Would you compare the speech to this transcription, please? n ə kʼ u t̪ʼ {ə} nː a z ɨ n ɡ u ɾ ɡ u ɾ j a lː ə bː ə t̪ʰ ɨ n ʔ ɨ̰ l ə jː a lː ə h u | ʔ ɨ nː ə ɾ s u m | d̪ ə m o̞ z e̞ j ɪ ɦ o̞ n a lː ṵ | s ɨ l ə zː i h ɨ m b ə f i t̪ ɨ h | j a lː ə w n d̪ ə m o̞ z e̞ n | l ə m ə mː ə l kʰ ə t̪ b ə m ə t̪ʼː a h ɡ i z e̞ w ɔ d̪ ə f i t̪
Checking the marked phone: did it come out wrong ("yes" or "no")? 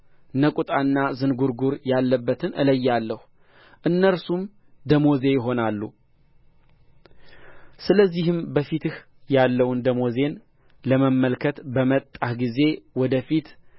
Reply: yes